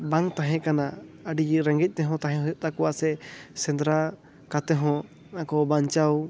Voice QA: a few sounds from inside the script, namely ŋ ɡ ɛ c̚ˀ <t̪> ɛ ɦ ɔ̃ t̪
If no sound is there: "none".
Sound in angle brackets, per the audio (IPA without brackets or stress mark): t̪